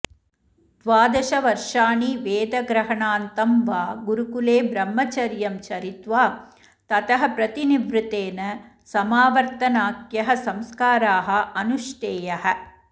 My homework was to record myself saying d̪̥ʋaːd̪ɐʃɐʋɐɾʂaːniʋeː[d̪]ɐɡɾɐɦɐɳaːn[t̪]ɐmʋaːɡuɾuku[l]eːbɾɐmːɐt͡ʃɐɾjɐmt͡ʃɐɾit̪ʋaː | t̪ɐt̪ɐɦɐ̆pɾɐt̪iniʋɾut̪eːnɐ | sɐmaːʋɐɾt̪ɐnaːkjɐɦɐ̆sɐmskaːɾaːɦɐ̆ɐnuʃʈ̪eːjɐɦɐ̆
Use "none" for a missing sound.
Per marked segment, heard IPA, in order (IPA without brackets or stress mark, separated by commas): d̪, t̪, l